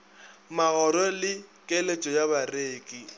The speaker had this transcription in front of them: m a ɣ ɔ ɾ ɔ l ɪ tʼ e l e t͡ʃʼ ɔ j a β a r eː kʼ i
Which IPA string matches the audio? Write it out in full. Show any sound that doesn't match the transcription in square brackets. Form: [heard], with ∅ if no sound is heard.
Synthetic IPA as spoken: m a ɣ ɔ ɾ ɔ l ɪ [kʼ] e l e t͡ʃʼ ɔ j a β a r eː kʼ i